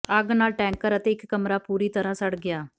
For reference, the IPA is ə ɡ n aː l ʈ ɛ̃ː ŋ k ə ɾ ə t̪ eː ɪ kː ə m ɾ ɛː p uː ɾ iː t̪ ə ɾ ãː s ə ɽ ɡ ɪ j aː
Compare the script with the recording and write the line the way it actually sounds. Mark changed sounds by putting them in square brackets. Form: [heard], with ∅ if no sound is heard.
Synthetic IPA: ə ɡ n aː l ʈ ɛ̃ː ŋ k ə ɾ ə t̪ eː ɪ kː ə m ɾ [aː] p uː ɾ iː t̪ ə ɾ ãː s ə ɽ ɡ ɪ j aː